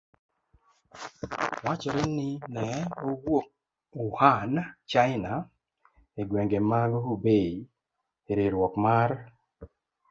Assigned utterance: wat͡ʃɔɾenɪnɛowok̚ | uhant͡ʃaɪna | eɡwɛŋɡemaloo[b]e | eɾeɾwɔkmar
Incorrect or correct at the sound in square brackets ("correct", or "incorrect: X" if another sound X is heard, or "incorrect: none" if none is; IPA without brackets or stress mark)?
correct